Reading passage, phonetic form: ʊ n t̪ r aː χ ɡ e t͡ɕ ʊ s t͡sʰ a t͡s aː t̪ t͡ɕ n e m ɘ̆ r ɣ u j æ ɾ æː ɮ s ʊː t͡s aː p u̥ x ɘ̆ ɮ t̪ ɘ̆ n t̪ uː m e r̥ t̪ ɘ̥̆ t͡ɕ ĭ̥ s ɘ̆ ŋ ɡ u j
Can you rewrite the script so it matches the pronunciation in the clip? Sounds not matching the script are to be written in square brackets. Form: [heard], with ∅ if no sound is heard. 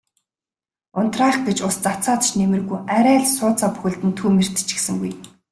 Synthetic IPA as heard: ʊ n t̪ r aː χ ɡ e t͡ɕ ʊ s [t͡s] a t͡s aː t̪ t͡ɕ n e m ɘ̆ r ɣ u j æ ɾ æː ɮ s ʊː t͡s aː p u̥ x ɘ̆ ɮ t̪ ɘ̆ n [t̪ʰ] uː m e r̥ t̪ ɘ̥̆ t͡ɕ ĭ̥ s ɘ̆ ŋ ɡ u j